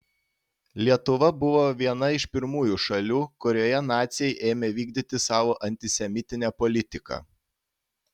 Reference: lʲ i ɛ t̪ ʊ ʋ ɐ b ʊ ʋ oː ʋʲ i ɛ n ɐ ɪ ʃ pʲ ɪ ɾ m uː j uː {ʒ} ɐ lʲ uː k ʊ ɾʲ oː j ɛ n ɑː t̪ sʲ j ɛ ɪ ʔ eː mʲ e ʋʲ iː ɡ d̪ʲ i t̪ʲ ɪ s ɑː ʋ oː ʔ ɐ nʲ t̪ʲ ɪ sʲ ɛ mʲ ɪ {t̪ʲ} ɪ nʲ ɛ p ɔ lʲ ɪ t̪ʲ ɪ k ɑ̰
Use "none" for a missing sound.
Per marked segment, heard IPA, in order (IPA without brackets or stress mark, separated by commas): ʃ, t̪ʲ